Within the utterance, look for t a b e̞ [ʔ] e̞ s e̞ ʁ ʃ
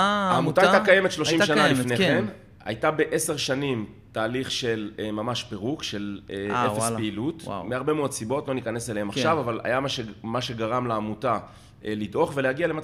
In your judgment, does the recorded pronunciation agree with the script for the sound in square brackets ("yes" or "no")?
yes